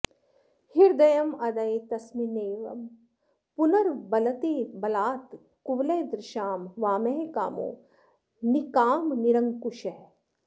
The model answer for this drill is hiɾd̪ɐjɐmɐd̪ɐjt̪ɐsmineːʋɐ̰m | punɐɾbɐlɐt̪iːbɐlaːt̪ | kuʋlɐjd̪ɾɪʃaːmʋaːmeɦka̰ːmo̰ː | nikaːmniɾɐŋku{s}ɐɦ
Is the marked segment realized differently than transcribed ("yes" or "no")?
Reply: yes